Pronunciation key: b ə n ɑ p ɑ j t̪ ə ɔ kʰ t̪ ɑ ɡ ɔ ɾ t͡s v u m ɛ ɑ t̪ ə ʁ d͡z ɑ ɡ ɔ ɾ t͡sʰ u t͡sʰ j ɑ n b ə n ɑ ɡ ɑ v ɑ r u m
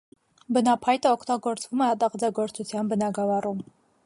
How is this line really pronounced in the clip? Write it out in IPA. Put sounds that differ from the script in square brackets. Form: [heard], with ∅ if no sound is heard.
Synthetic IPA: b ə n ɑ [pʰ] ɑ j t̪ ə ɔ kʰ t̪ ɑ ɡ ɔ ɾ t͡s v u m ɛ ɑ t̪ [ɑ] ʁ d͡z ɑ ɡ ɔ ɾ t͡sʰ u t͡sʰ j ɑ n b ə n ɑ ɡ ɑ v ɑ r u m